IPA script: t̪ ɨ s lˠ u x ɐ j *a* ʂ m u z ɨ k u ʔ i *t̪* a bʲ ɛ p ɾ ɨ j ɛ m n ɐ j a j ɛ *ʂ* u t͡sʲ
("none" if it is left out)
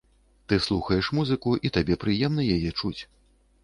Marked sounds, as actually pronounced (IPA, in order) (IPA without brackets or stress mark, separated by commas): ɛ, t̪, t͡ʂ